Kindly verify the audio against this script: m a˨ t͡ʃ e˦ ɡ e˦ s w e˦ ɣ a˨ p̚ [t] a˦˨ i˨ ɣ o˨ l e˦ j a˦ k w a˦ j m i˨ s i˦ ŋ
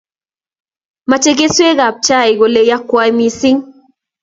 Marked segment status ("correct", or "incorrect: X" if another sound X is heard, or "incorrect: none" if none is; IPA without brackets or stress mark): incorrect: t͡ʃ